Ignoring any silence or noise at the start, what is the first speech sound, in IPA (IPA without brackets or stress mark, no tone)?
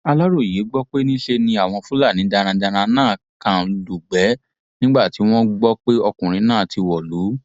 a